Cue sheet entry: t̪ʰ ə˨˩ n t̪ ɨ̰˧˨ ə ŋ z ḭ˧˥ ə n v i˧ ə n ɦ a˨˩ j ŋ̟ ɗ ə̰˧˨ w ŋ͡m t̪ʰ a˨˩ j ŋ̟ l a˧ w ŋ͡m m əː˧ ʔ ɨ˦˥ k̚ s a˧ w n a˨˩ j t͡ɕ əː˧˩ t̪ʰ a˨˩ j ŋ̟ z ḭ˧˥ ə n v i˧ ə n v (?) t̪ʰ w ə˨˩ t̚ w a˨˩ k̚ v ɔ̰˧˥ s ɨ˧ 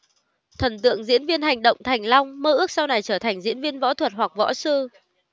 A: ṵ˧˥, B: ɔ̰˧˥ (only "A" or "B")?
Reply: B